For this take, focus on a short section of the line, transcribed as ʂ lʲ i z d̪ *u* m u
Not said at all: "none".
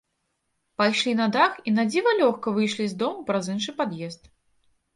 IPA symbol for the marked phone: ɔ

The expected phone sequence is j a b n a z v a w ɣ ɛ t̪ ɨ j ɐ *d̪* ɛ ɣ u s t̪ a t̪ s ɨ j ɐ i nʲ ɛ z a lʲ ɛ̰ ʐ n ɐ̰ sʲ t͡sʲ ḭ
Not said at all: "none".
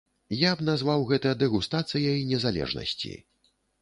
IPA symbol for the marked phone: d̪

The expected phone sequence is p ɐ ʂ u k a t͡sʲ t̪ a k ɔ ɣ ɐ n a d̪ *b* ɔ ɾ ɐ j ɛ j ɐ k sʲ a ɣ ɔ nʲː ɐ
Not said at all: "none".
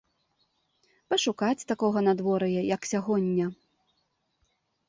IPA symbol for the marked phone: v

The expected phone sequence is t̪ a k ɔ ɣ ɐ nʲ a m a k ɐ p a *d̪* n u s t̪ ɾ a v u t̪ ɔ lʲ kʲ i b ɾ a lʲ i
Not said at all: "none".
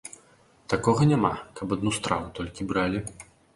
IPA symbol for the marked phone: d̪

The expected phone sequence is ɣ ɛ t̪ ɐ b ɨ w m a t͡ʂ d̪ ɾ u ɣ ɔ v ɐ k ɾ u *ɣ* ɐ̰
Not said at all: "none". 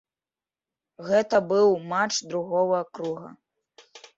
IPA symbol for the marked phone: ɣ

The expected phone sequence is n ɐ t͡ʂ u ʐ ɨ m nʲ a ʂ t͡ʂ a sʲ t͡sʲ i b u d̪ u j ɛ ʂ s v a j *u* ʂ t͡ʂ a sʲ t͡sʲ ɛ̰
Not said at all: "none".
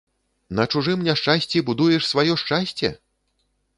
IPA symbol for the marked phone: ɔ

